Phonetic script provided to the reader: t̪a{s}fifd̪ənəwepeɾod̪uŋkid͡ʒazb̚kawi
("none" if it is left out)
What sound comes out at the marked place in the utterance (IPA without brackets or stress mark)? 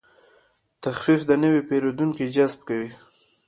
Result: x